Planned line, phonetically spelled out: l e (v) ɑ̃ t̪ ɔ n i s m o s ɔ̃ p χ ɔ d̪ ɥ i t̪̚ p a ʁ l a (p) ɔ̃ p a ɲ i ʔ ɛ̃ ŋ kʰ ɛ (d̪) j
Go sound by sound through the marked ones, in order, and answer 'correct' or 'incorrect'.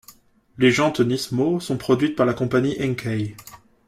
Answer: incorrect, incorrect, incorrect

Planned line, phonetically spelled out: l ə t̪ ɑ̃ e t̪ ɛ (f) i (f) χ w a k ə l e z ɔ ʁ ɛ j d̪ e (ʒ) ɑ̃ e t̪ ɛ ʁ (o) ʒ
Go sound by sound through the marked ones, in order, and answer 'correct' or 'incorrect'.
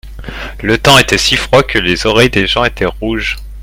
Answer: incorrect, correct, correct, incorrect

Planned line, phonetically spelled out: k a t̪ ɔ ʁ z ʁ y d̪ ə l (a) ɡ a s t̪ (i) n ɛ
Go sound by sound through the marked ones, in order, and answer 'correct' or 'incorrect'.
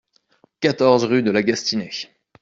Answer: correct, correct

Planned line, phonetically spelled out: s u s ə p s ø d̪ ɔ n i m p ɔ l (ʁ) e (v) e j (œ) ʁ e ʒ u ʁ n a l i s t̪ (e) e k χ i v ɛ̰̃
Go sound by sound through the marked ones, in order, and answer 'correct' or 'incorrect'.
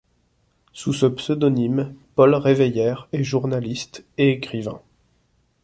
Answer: correct, correct, incorrect, correct

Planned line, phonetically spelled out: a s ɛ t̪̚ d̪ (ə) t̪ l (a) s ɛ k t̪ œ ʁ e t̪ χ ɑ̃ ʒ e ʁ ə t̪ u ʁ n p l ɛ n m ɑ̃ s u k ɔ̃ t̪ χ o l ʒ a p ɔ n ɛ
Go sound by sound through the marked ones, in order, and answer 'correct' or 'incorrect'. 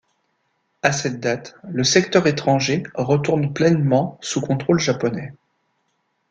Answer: incorrect, incorrect

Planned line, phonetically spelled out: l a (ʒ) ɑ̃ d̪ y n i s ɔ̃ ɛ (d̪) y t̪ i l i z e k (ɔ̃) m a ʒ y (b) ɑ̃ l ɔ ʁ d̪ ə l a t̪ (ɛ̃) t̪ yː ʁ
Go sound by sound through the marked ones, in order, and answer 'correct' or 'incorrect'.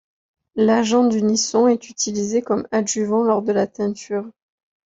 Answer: correct, incorrect, incorrect, incorrect, correct

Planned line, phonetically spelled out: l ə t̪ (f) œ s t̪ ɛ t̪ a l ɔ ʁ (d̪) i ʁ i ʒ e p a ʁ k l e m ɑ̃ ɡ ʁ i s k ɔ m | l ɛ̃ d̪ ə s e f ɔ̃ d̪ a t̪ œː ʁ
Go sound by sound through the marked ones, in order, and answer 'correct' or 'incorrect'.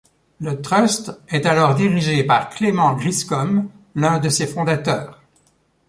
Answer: incorrect, correct

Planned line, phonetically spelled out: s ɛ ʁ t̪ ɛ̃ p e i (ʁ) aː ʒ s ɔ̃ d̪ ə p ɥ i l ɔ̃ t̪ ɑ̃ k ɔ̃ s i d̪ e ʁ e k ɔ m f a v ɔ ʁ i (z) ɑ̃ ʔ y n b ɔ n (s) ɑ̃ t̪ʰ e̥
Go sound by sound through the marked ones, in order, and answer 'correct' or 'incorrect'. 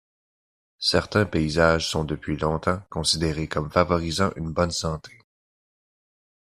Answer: incorrect, correct, correct

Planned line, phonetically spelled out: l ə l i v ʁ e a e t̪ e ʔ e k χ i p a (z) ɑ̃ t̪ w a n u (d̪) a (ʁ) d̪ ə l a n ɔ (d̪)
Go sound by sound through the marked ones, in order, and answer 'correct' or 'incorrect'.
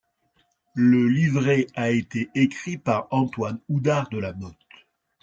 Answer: incorrect, correct, correct, incorrect

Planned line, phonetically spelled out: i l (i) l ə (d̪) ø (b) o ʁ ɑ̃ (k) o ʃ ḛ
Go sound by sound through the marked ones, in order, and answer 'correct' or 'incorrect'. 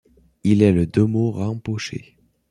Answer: incorrect, correct, incorrect, incorrect

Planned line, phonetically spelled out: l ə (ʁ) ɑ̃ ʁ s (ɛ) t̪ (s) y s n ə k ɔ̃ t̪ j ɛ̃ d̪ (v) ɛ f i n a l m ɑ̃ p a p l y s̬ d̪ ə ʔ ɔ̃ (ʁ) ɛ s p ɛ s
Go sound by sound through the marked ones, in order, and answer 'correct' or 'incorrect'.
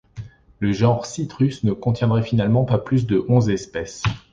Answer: incorrect, incorrect, incorrect, incorrect, incorrect

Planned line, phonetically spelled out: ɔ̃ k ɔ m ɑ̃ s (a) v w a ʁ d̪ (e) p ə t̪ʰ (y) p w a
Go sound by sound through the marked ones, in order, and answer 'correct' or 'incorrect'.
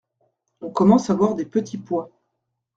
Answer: correct, correct, incorrect

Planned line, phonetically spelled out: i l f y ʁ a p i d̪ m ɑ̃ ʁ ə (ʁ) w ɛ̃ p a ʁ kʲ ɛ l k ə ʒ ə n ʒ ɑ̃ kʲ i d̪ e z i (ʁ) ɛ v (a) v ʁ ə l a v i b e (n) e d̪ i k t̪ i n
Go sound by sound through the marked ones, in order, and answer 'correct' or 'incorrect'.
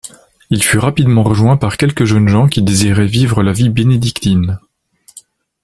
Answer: incorrect, correct, incorrect, correct

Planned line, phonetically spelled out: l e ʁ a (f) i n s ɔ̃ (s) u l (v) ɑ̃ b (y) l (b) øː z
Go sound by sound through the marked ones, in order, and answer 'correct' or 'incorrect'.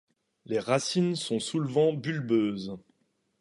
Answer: incorrect, correct, correct, correct, correct

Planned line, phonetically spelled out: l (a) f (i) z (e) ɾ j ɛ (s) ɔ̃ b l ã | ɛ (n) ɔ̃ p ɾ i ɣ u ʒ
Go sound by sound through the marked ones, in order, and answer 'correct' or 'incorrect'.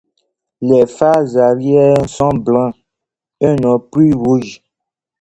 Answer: incorrect, incorrect, incorrect, correct, correct

